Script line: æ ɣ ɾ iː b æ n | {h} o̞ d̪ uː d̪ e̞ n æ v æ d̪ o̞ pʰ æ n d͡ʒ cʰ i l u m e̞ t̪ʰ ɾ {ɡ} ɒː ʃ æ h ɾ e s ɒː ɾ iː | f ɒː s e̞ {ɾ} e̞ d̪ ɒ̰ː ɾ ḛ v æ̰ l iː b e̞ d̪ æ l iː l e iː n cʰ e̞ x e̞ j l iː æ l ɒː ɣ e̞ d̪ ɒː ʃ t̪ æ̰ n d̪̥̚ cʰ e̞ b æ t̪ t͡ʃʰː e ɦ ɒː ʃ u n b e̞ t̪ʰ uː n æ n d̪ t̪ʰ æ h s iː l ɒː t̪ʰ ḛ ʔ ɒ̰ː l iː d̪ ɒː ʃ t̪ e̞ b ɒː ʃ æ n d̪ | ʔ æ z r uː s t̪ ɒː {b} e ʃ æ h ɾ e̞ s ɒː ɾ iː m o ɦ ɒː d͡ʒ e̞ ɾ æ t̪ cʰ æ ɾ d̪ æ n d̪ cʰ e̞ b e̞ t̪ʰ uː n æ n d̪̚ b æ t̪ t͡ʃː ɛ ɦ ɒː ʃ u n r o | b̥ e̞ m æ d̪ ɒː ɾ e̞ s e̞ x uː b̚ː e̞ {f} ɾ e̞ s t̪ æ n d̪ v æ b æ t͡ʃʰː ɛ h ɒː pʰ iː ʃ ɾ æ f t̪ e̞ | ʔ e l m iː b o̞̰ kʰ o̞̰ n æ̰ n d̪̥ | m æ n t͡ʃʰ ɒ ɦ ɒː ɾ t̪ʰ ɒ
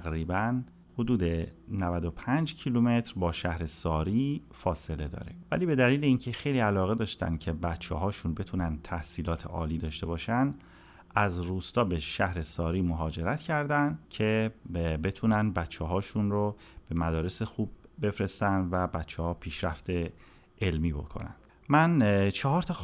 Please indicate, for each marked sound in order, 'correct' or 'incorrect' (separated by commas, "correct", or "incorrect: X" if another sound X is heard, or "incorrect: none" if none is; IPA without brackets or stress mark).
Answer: correct, incorrect: b, incorrect: l, correct, correct